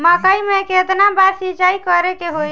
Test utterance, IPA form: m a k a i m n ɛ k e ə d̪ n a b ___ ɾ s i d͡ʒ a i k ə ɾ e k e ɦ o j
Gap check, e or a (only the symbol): a